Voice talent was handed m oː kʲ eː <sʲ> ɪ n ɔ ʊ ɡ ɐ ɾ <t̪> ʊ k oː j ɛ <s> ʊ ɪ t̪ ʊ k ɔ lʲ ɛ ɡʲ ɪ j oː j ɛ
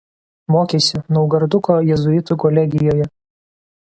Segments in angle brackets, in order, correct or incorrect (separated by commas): correct, incorrect, incorrect